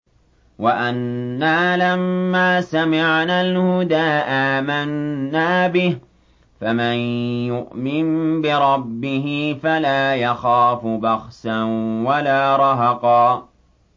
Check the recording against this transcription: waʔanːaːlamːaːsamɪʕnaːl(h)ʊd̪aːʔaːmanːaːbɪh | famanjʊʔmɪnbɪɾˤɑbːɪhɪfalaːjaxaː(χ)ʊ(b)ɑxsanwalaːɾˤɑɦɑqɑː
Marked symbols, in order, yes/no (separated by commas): yes, no, yes